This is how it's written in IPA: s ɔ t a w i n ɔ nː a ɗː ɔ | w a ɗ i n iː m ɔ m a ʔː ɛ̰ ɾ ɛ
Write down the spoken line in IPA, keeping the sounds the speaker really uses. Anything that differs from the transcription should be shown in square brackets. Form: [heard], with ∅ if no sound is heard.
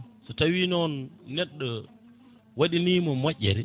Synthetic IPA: s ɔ t a w i n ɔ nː [ɛ] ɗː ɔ | w a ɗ i n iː m ɔ m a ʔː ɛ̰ ɾ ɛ